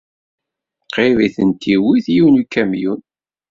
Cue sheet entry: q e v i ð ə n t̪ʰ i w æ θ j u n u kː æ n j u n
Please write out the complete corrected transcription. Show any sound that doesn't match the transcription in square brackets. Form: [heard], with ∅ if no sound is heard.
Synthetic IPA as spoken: q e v i [θ] ə n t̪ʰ i w [i] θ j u n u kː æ [m] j u n